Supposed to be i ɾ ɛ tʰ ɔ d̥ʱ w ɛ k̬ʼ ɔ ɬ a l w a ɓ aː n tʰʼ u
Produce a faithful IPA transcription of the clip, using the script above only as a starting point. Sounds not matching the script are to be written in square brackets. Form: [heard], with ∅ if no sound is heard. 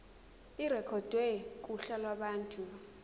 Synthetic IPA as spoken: i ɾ ɛ [kʰ] ɔ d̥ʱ w ɛ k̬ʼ [u] ɬ a l w a ɓ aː n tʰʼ u

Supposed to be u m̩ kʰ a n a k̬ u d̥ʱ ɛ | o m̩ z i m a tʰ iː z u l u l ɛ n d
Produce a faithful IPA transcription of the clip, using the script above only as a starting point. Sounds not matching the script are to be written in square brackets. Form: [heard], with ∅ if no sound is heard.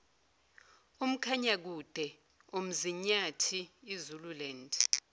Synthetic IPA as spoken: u m̩ kʰ a [ɲ] a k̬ u d̥ʱ ɛ | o m̩ z i [ɲ] a tʰ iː z u l u l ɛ n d

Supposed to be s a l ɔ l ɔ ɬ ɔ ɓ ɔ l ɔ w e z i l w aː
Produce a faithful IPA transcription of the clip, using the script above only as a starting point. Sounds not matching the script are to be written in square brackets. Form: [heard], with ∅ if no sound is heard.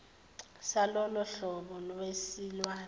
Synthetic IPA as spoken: s a l ɔ l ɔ ɬ ɔ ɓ ɔ l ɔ w e [s] i l w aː

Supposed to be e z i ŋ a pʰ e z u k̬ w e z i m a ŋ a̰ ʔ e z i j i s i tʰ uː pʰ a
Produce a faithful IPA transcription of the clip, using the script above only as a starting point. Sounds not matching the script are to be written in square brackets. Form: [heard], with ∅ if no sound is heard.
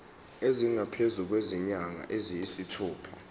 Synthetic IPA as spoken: e z i ŋ a pʰ e z u k̬ w e z i [ɲ] a ŋ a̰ ʔ e z i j i s i tʰ uː pʰ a

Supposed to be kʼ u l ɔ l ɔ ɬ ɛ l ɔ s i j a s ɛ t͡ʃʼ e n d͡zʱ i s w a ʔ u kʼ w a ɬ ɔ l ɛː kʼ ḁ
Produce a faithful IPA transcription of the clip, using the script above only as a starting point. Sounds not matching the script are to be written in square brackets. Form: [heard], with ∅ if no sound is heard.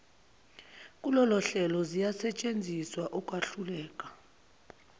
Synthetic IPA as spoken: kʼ u l ɔ l ɔ ɬ ɛ l ɔ [z] i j a s ɛ t͡ʃʼ e n d͡zʱ i s w a ʔ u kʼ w a ɬ [u] l ɛː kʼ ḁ

